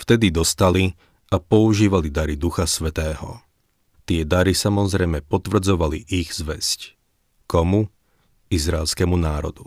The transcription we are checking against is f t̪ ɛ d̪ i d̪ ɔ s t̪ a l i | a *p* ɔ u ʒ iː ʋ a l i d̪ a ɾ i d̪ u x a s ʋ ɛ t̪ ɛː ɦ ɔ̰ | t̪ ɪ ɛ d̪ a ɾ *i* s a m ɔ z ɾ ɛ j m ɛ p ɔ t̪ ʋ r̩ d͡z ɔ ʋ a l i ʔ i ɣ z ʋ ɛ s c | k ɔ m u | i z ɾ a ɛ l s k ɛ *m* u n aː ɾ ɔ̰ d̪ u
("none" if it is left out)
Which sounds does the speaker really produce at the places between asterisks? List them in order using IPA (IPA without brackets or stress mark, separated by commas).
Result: p, i, m